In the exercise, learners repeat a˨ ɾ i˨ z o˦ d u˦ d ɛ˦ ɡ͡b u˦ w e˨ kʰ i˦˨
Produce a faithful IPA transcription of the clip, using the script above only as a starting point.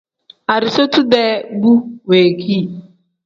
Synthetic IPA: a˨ ɾ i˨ s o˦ t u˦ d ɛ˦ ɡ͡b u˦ w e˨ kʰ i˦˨